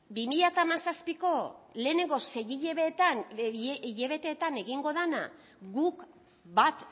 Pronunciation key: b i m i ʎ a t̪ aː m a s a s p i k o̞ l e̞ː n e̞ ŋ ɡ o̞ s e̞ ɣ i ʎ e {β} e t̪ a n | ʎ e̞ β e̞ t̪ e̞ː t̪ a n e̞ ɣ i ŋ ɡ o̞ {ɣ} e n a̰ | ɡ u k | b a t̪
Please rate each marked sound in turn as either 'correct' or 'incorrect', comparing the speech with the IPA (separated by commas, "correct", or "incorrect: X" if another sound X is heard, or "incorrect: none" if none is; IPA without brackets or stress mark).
correct, incorrect: ð